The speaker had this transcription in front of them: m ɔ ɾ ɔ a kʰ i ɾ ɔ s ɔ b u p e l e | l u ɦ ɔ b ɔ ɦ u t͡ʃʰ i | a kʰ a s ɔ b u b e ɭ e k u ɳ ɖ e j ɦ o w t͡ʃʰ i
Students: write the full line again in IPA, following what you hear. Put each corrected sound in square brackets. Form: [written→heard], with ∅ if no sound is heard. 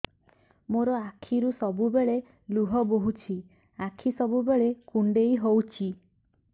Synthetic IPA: m [ɔ→o] ɾ ɔ a kʰ i ɾ [ɔ→u] s ɔ b u [p→b] e [l→ɭ] e | l u ɦ ɔ b [ɔ→o] ɦ u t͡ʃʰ i | a kʰ [a→i] s ɔ b u b e ɭ e k u ɳ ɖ e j ɦ o w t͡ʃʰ i